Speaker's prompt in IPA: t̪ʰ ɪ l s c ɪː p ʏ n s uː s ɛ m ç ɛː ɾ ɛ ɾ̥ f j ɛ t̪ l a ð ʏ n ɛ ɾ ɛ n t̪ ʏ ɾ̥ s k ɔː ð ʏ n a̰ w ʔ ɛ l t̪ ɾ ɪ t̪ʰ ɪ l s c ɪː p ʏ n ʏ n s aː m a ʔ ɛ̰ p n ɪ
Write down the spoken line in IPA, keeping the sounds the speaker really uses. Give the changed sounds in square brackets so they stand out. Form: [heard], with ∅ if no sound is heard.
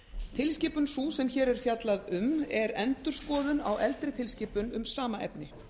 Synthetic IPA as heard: t̪ʰ ɪ l s c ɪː p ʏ n s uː s ɛ m ç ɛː ɾ ɛ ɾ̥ f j [a] t̪ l a ð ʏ [m] ɛ ɾ ɛ n t̪ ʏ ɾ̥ s k ɔː ð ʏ n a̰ w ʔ ɛ l t̪ ɾ ɪ t̪ʰ ɪ l s c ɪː p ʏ n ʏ [m] s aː m a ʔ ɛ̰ p n ɪ